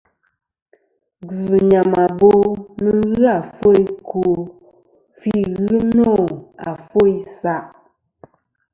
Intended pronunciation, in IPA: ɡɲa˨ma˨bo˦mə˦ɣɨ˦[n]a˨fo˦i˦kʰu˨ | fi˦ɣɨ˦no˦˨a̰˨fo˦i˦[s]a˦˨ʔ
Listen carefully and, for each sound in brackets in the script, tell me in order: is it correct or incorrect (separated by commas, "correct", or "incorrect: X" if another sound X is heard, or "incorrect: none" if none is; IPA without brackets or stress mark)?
incorrect: none, correct